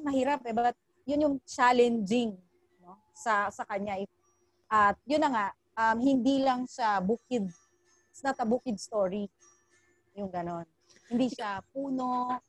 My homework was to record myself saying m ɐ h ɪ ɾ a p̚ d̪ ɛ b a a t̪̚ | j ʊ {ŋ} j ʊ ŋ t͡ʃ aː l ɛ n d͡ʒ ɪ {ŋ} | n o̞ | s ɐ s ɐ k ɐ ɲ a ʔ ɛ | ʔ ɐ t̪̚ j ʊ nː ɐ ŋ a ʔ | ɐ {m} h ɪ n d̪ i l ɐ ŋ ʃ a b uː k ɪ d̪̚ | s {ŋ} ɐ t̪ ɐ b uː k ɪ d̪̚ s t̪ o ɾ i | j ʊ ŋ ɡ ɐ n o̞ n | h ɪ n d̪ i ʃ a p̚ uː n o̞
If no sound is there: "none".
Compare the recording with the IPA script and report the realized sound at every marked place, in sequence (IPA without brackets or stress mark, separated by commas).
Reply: n, ŋ, m, n